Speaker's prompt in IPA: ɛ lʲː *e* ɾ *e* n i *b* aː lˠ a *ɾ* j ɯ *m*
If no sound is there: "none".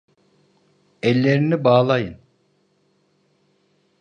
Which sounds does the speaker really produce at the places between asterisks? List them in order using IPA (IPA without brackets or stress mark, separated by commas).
e, i, b, none, n